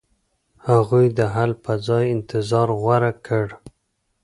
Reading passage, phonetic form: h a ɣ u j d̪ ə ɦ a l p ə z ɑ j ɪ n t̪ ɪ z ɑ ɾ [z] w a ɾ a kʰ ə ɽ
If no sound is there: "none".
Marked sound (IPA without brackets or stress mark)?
ɣ